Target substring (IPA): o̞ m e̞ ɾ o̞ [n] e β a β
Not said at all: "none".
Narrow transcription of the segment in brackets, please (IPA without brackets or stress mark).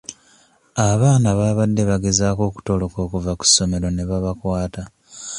n